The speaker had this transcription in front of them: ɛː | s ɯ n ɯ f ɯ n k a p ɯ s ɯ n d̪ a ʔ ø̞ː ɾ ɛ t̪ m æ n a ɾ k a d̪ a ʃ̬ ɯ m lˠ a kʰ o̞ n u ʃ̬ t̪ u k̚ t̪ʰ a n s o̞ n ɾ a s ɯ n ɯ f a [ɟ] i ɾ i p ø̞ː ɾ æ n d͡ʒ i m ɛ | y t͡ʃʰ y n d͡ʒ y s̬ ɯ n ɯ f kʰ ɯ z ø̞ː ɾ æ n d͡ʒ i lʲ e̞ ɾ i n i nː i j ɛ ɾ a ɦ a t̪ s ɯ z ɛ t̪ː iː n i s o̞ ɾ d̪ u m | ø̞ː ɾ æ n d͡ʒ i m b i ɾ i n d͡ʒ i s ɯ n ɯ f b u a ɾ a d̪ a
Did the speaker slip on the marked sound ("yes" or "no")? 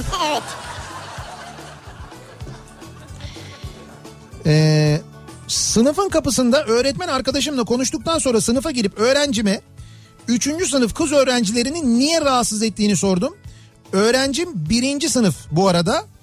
no